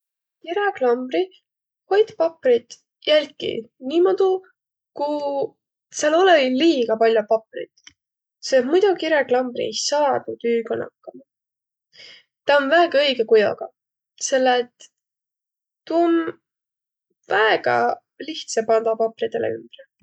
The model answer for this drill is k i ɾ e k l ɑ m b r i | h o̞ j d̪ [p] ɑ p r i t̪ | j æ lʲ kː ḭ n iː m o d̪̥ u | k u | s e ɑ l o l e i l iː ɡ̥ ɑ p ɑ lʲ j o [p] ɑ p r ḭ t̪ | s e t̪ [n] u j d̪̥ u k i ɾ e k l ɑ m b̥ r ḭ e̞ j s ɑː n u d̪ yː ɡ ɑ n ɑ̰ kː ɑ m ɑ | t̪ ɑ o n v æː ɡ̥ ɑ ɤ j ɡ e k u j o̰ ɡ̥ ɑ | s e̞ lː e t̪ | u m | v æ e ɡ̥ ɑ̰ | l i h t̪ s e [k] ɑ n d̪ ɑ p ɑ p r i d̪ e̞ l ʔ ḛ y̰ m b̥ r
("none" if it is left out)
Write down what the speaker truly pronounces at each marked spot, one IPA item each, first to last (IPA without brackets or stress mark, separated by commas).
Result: p, p, m, p